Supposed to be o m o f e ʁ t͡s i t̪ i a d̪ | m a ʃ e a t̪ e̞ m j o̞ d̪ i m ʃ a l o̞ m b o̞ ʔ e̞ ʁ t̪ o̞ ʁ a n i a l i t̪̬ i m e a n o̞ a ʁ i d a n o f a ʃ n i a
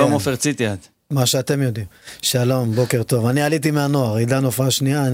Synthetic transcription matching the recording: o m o f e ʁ t͡s i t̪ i a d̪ | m a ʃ e a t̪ e̞ m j o̞ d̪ i m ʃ a l o̞ m b o̞ k e̞ ʁ t̪ o̞ v a n i a l i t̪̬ i m e a n o̞ a ʁ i d a n o f a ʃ n i a